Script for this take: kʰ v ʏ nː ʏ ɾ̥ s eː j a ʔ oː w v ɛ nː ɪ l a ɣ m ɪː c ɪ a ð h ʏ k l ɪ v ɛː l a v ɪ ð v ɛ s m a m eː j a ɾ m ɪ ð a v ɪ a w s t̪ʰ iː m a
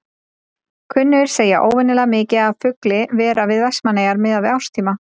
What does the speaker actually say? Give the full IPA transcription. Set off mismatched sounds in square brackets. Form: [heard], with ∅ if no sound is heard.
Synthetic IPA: kʰ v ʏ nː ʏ ɾ̥ s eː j a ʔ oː w v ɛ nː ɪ l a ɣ m ɪː c ɪ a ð [f] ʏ k l ɪ v ɛː [ɾ] a v ɪ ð v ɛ s m a [n] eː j a ɾ m ɪ ð a v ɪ a w s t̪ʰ iː m a

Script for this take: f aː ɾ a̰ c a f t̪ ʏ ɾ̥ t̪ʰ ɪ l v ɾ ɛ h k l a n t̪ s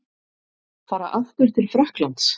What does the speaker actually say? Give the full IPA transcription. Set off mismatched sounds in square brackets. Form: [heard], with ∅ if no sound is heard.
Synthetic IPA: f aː ɾ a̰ [ʔ] a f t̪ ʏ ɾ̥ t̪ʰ ɪ l [f] ɾ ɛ h k l a n t̪ s

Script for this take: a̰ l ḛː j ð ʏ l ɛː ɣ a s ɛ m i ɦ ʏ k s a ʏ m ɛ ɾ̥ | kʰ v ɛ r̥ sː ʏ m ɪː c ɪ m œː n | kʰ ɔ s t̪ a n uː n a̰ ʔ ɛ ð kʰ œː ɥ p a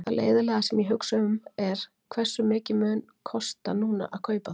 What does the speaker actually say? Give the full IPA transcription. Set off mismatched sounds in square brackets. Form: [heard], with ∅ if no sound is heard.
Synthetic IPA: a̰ l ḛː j ð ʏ l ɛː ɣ a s ɛ m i ɦ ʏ k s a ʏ m ɛ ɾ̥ | kʰ v ɛ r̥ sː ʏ m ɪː c ɪ m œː n | kʰ ɔ s t̪ a n uː n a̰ ʔ [a] ð kʰ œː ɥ p a

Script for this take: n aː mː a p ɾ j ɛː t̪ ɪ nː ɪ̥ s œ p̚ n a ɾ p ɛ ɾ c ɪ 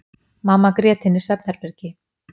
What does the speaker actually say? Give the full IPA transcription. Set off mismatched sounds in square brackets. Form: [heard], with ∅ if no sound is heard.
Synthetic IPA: [m] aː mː a [k] ɾ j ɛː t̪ ɪ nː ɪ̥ s [ɛ] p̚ n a ɾ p ɛ ɾ c ɪ

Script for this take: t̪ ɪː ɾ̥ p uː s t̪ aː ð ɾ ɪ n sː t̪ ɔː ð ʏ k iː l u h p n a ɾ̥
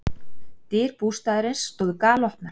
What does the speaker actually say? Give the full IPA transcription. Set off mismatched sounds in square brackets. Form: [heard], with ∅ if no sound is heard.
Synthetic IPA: t̪ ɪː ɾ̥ p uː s t̪ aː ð ɾ ɪ n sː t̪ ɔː ð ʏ k [aː] l [ɔ] h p n a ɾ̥

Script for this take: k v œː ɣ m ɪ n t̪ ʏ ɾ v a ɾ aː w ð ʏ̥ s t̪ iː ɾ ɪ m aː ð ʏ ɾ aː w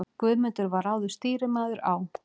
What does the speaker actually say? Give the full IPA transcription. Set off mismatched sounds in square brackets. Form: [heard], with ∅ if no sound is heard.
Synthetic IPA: k v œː [ð] m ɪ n t̪ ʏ ɾ v a ɾ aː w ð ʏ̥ s t̪ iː ɾ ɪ m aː ð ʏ ɾ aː w

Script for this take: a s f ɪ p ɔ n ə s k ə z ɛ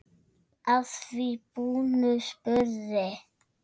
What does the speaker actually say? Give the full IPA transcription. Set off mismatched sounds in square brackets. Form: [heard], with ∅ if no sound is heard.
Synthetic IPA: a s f [i] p [u] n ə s [p] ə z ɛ

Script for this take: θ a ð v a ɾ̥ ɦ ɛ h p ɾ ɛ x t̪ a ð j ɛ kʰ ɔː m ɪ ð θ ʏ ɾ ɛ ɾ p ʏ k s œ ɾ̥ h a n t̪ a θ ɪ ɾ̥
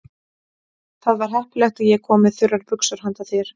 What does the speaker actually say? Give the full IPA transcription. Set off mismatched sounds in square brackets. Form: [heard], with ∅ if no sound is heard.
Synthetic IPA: θ a ð v a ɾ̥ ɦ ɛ h p [l] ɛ x t̪ a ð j ɛ kʰ ɔː m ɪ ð θ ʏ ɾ [a] ɾ p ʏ k s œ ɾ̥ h a n t̪ a θ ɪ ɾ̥

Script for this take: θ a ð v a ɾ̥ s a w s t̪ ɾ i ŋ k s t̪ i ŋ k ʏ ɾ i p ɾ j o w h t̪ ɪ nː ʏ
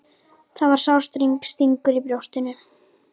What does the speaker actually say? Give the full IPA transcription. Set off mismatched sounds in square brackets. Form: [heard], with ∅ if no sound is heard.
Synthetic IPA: θ a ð v a ɾ̥ s a w s t̪ ɾ i ŋ k s t̪ i ŋ k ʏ ɾ i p ɾ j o w [s] t̪ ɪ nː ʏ

